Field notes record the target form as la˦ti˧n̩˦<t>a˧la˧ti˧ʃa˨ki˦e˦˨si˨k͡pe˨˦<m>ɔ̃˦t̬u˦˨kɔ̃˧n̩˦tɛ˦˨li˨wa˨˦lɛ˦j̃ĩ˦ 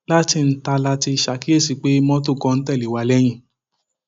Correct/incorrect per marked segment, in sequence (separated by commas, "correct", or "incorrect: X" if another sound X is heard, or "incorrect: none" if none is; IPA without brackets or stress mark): correct, correct